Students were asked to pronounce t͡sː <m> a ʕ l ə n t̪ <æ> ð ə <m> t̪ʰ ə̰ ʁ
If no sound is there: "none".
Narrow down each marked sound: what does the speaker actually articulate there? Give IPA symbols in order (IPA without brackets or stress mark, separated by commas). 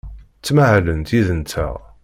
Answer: m, i, n